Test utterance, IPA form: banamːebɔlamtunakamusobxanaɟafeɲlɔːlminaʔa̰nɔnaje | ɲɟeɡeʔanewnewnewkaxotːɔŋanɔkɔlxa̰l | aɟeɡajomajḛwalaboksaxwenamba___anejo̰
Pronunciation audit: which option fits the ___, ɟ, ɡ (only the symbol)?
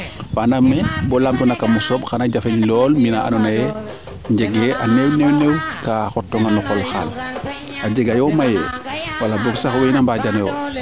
ɟ